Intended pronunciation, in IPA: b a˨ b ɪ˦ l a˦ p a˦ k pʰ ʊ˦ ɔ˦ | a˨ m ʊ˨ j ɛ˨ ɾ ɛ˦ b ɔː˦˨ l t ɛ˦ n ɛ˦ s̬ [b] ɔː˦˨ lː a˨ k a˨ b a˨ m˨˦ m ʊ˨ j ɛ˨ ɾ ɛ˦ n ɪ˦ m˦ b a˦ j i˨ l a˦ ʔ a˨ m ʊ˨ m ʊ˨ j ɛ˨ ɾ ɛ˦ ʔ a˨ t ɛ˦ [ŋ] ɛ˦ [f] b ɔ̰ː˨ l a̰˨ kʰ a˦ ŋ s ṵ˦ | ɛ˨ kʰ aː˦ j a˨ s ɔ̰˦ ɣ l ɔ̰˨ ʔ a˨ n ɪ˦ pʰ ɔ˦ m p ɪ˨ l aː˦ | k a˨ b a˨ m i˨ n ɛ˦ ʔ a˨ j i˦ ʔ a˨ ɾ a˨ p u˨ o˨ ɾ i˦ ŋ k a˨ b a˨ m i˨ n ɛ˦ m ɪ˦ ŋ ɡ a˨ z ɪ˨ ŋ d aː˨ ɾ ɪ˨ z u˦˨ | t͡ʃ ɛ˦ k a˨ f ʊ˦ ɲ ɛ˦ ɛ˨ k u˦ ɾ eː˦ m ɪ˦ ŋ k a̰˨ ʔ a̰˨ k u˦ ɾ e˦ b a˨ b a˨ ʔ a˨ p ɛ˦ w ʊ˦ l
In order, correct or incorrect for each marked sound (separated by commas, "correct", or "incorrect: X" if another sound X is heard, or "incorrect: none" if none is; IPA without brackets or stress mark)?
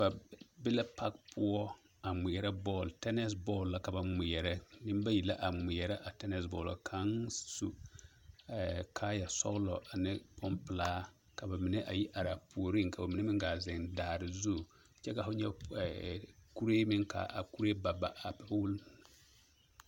correct, incorrect: n, incorrect: s